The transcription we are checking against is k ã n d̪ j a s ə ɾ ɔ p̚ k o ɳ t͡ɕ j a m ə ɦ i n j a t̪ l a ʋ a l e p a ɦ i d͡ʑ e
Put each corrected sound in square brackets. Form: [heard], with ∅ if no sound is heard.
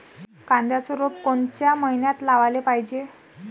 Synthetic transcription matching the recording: k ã n d̪ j a s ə ɾ [o] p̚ k o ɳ t͡ɕ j a m ə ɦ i n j a t̪ l a ʋ a l e p a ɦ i d͡ʑ e